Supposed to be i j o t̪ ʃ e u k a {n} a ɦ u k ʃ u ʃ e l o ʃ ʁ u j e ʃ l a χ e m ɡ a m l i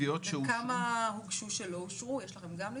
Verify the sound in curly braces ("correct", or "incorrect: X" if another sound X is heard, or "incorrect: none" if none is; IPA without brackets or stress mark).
incorrect: m